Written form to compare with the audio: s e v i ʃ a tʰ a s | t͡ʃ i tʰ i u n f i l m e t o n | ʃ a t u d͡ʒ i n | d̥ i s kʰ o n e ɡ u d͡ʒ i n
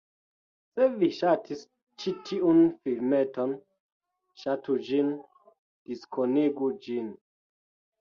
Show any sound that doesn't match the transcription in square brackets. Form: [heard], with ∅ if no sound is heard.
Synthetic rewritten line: s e v i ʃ a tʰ [i] s | t͡ʃ i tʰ i u n f i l m e t o n | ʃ a t u d͡ʒ i n | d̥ i s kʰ o n e ɡ u d͡ʒ i n